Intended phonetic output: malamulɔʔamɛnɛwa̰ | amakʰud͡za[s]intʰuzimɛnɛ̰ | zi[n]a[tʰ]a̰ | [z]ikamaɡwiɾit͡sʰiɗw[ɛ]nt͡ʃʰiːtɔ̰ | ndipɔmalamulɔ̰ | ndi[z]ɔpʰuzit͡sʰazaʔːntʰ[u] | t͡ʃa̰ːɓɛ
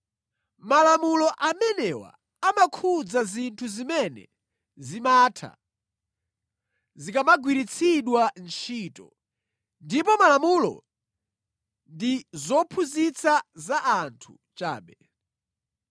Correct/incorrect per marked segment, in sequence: incorrect, incorrect, correct, correct, incorrect, correct, correct

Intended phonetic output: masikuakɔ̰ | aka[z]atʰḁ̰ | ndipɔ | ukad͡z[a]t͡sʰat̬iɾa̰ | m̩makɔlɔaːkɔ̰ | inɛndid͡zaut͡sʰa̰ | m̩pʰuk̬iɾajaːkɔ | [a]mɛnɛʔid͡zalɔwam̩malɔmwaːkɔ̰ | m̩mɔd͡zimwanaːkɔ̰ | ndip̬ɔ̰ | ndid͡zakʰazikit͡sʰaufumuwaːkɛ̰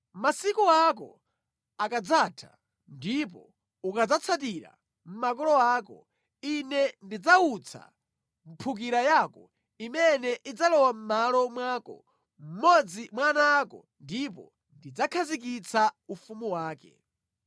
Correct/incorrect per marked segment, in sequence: incorrect, correct, incorrect

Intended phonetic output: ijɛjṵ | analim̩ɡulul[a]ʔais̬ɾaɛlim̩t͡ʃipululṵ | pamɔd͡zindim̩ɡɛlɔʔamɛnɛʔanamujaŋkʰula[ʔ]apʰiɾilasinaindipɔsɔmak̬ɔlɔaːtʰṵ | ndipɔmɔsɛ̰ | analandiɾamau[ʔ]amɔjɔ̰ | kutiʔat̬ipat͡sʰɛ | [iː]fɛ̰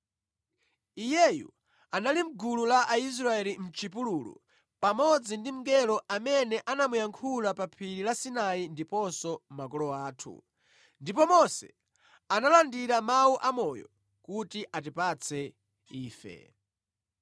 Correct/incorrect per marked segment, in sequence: correct, incorrect, correct, correct

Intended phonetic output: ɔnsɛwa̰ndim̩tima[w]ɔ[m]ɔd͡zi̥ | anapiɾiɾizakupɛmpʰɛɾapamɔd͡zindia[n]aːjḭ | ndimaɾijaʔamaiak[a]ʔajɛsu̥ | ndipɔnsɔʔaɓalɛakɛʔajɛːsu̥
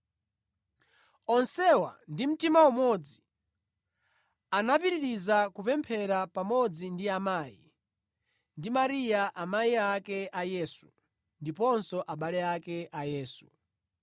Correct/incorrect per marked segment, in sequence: correct, correct, incorrect, incorrect

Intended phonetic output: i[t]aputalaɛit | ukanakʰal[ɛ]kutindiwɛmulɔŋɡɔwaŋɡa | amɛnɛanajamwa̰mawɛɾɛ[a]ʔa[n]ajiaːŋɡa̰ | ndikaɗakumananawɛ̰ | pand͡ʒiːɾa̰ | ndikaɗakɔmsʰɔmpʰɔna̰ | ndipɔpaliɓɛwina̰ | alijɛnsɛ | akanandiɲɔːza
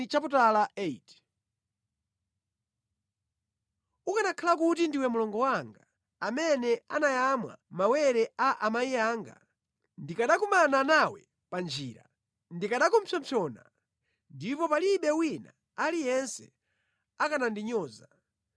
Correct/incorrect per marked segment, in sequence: incorrect, incorrect, correct, incorrect

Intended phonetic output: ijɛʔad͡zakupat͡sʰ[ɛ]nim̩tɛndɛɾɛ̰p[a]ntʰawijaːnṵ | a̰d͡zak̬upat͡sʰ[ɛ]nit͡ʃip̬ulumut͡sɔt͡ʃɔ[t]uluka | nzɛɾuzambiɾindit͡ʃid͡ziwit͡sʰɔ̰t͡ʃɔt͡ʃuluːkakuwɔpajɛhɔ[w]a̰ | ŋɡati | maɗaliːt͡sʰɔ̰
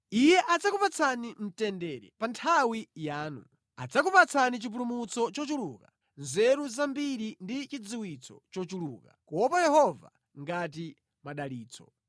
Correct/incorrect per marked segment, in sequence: incorrect, correct, incorrect, incorrect, incorrect

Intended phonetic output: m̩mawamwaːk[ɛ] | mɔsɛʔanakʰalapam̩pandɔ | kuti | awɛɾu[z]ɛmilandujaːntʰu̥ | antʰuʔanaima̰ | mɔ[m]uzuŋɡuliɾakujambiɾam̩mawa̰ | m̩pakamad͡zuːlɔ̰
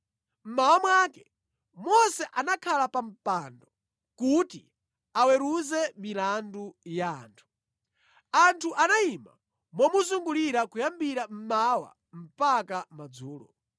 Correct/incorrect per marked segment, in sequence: correct, correct, correct

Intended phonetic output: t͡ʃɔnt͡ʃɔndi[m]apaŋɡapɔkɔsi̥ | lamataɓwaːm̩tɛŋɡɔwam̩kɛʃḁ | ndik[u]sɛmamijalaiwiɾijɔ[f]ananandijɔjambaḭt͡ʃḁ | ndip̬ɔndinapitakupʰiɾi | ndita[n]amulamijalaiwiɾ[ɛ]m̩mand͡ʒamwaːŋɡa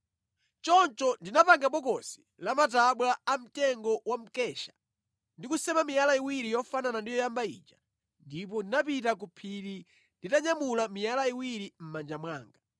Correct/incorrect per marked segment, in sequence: incorrect, correct, correct, incorrect, incorrect

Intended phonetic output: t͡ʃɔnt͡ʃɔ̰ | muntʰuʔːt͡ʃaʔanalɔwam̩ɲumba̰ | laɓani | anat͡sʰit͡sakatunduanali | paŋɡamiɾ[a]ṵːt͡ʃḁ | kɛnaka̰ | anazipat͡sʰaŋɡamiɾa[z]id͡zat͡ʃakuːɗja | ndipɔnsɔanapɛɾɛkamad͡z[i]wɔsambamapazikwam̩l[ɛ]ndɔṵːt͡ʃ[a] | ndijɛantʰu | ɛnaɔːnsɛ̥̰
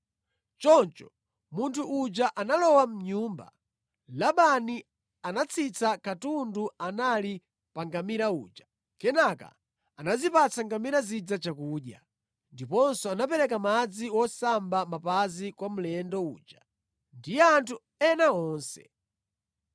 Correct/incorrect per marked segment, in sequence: correct, correct, correct, correct, correct

